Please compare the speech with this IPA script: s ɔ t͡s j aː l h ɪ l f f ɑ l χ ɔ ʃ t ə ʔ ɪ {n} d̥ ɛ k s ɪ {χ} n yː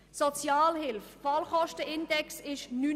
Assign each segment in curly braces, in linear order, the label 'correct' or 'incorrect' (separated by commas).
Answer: correct, incorrect